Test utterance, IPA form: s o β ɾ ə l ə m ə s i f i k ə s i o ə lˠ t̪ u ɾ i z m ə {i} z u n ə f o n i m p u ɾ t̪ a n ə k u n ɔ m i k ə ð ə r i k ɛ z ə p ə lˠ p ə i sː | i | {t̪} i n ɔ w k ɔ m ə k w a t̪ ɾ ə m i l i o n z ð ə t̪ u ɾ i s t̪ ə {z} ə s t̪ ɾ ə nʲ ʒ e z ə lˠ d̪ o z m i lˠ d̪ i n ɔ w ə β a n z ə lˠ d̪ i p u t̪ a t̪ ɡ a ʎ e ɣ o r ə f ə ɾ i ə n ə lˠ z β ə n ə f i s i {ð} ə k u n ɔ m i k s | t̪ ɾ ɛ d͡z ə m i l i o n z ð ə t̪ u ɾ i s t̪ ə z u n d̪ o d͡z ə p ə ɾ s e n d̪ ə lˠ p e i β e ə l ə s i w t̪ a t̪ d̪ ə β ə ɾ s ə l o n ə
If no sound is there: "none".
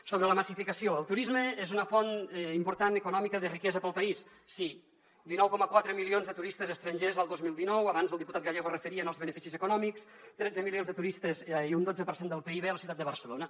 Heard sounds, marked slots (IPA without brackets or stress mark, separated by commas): e, d̪, z, z